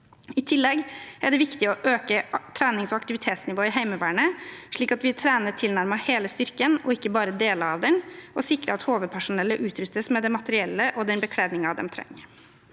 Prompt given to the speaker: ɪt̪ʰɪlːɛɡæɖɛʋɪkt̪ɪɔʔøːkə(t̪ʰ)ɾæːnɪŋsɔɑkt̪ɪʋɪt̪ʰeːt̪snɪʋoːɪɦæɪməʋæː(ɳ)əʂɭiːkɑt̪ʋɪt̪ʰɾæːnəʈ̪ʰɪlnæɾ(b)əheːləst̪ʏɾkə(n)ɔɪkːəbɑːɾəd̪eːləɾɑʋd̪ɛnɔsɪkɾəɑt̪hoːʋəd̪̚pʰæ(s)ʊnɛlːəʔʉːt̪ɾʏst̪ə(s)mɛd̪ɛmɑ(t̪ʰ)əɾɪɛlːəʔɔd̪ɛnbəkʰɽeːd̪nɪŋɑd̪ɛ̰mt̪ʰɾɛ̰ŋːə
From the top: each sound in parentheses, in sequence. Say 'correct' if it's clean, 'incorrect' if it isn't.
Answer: correct, correct, incorrect: m, correct, incorrect: ʂ, correct, incorrect: t̪

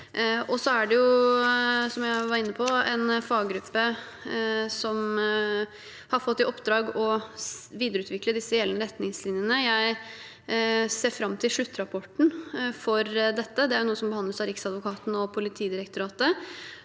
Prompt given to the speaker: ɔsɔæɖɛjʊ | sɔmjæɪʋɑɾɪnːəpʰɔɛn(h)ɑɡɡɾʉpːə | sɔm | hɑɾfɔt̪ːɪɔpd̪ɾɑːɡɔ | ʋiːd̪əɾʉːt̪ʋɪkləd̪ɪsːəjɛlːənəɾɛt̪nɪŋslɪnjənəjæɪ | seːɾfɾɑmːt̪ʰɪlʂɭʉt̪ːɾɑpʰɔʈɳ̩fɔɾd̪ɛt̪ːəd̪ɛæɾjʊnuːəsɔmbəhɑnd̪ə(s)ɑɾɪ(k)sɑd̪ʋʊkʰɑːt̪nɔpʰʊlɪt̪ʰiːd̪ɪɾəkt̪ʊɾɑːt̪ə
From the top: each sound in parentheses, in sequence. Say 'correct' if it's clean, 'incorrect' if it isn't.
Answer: incorrect: f, correct, correct

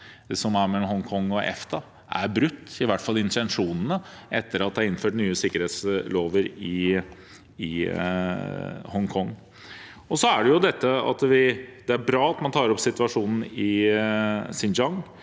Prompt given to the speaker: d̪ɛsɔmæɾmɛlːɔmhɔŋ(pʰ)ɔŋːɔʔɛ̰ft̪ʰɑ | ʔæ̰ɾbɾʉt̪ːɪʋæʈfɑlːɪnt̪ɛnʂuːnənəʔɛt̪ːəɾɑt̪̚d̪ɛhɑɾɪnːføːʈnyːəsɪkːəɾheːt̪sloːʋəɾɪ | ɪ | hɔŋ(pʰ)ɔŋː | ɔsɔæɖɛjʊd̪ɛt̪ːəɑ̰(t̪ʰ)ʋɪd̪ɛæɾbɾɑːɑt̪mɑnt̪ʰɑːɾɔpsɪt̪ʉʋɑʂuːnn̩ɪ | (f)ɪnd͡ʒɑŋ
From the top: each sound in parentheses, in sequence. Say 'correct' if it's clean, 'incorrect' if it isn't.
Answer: incorrect: kʰ, incorrect: kʰ, incorrect: t̪, incorrect: s

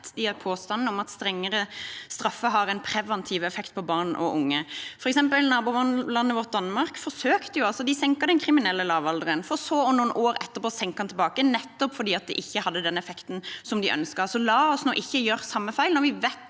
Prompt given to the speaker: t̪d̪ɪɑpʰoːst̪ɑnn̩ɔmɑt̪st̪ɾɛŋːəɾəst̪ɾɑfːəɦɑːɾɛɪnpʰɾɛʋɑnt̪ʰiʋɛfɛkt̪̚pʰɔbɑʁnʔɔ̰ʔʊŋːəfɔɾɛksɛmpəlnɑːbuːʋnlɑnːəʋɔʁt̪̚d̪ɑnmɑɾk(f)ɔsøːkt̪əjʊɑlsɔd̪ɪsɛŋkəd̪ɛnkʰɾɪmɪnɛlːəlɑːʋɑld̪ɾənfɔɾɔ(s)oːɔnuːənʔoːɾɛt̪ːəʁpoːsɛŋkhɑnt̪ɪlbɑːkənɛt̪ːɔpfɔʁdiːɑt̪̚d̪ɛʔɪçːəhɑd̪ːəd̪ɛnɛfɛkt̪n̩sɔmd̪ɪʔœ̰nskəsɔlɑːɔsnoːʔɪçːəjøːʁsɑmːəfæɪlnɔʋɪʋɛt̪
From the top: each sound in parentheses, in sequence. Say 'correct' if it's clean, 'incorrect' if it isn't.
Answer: correct, correct

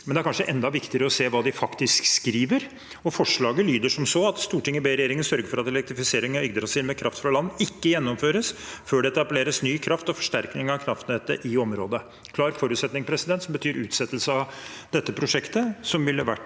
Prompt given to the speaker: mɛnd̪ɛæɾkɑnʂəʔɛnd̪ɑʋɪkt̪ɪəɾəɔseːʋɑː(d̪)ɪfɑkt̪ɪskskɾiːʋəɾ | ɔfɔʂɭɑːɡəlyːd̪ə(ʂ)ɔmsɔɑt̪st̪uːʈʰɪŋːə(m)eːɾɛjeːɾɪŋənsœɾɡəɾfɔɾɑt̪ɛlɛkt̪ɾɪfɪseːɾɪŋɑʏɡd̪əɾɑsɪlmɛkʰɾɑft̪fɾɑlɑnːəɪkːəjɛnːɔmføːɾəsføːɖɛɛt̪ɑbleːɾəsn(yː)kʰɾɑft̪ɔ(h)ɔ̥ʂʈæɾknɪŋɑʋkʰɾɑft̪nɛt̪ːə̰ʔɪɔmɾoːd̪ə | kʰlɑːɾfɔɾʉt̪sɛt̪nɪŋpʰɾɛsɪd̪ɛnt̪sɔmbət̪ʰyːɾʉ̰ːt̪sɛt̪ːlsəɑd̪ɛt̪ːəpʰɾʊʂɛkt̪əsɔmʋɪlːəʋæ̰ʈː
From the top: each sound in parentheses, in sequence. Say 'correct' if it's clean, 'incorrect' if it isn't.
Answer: correct, correct, incorrect: b, correct, incorrect: f

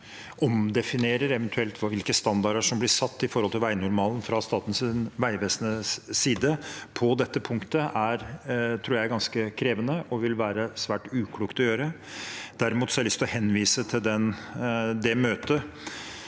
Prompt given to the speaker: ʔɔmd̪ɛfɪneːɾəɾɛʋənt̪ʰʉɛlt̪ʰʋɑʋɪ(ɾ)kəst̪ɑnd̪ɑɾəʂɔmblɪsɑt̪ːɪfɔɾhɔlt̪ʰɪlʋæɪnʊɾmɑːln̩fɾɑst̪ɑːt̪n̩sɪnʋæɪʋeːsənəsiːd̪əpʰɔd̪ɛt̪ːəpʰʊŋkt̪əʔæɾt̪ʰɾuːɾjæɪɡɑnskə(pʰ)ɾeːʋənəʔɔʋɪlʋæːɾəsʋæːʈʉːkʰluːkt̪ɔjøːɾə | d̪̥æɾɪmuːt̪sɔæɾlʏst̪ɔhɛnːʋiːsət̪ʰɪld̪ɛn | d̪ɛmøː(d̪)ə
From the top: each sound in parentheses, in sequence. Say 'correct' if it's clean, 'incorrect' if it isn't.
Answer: incorrect: l, incorrect: kʰ, incorrect: t̪

